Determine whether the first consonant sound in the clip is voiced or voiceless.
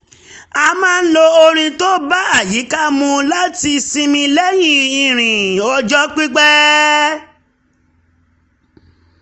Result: voiced